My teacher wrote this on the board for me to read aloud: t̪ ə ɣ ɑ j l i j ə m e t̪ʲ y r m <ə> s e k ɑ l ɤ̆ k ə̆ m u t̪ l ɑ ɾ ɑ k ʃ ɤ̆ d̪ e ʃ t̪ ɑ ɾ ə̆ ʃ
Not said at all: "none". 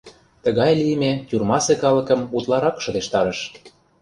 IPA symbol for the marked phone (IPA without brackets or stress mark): ɑ